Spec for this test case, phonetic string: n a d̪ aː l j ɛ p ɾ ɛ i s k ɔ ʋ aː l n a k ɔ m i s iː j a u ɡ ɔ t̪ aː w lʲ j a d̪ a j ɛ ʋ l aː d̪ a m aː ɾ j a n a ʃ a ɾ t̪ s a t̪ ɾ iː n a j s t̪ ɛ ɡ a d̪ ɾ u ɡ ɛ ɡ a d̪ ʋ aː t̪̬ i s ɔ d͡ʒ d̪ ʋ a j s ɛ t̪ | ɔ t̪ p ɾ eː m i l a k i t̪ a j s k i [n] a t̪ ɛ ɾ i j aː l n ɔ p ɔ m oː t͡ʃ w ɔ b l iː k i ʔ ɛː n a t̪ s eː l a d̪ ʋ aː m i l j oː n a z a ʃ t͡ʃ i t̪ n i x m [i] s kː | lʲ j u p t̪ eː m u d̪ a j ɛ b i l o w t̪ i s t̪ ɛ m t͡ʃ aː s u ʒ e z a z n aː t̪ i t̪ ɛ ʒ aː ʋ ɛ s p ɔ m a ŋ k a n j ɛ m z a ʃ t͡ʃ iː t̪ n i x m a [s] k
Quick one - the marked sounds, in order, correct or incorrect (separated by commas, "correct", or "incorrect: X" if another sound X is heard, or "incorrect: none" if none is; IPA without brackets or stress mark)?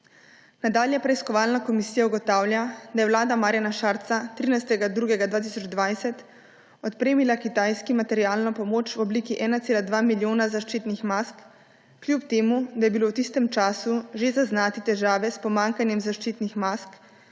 incorrect: m, incorrect: a, correct